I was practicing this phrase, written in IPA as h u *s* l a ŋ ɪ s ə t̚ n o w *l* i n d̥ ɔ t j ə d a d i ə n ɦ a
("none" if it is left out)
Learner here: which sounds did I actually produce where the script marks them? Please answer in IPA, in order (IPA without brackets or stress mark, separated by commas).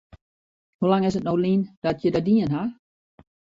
none, l